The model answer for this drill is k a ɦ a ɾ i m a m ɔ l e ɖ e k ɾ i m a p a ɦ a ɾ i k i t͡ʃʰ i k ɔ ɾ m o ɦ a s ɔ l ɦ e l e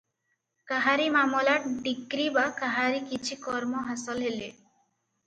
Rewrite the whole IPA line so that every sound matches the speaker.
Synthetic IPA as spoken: k a ɦ a ɾ i m a m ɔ l a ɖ i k ɾ i b a k a ɦ a ɾ i k i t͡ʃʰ i k ɔ ɾ m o ɦ a s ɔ l ɦ e l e